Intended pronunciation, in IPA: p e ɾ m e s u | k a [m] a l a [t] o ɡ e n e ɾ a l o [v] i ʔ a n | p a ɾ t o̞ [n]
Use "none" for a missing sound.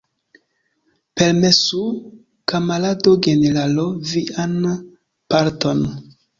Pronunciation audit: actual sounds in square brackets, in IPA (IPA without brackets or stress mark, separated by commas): m, d, v, n